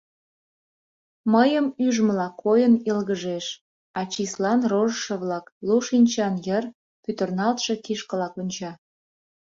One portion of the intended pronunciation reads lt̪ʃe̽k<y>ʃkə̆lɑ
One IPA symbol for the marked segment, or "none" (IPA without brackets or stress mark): i